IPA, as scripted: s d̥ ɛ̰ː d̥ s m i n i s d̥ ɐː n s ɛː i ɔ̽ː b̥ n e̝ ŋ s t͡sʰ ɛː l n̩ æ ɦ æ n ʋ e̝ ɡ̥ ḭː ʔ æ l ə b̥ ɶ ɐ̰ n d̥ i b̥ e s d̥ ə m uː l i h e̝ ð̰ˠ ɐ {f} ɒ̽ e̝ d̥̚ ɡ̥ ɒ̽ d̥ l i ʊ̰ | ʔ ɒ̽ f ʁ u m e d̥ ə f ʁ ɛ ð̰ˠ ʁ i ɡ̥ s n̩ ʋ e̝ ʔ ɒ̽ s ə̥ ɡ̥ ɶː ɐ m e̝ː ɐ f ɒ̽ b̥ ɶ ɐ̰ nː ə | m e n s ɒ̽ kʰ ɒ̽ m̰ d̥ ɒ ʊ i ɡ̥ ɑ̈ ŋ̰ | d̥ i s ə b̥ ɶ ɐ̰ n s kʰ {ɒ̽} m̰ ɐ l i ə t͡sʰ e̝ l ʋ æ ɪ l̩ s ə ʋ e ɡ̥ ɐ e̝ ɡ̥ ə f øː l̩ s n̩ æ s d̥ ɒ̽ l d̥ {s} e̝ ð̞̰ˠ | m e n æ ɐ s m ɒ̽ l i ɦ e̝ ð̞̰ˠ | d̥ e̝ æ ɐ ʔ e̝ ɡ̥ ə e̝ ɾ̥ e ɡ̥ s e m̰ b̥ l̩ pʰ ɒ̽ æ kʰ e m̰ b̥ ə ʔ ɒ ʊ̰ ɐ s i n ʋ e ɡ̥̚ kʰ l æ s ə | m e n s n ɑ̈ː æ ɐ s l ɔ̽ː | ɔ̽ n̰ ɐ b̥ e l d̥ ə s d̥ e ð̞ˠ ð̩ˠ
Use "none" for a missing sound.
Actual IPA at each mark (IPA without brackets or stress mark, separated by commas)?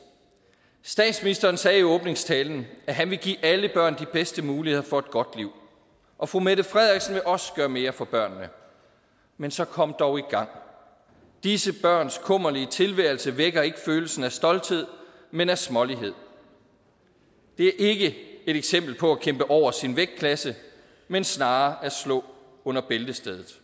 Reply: f, ɔ̽, h